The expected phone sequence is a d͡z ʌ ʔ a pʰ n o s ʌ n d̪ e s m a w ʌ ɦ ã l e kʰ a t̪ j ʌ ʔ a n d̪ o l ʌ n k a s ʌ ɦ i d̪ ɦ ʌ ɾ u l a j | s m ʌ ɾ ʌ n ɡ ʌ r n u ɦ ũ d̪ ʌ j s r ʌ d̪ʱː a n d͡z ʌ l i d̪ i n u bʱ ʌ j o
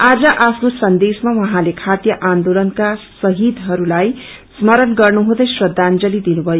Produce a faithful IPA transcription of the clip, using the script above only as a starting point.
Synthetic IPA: a d͡z ʌ ʔ a pʰ n o s ʌ n d̪ e s m a w ʌ ɦ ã l e kʰ a t̪ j ʌ ʔ a n d̪ o l ʌ n k a s ʌ ɦ i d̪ ɦ ʌ ɾ u l a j | s m ʌ ɾ ʌ n ɡ ʌ r n u ɦ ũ d̪ ʌ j s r ʌ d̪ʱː a n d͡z ʌ l i d̪ i n u bʱ ʌ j o